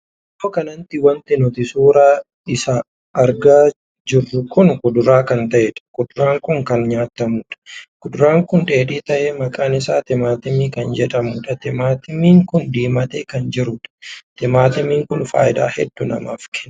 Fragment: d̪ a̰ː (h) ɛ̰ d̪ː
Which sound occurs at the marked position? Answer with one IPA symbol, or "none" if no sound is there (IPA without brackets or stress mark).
h